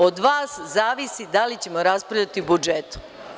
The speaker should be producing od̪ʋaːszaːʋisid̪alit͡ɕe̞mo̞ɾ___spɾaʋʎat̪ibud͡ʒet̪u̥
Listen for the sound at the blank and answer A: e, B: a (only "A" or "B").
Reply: B